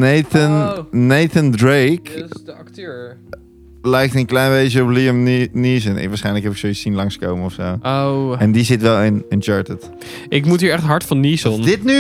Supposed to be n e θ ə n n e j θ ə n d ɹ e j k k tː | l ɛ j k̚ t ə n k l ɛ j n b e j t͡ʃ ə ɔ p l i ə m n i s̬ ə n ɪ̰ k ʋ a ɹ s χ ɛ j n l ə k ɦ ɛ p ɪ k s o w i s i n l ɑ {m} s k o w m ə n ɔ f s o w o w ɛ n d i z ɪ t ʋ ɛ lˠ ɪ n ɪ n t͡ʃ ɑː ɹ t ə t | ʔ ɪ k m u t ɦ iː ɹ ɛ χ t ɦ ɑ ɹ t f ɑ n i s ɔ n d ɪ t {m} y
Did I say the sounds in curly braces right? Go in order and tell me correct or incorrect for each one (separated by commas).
incorrect, incorrect